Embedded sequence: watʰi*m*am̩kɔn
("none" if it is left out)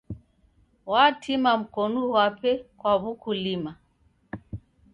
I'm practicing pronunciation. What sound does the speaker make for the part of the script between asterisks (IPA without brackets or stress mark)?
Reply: m